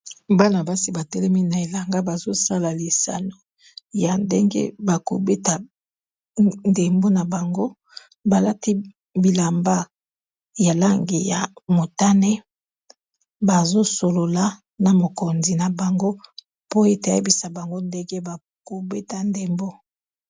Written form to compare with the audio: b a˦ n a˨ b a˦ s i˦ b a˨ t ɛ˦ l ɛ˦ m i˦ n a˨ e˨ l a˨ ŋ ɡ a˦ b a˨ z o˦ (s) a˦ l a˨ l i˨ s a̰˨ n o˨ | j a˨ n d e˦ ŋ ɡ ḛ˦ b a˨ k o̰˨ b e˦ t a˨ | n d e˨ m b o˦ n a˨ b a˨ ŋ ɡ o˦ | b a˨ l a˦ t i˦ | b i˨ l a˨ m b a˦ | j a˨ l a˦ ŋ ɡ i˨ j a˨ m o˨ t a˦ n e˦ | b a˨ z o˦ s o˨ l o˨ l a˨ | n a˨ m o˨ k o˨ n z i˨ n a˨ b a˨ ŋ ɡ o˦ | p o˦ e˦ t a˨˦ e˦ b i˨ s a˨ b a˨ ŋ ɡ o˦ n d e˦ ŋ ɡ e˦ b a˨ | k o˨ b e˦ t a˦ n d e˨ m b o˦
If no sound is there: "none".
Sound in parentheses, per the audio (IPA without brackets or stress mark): s